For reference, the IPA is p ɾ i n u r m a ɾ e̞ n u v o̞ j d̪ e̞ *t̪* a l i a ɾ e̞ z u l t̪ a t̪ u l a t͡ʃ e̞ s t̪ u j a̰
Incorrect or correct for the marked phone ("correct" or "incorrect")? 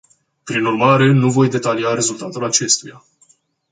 correct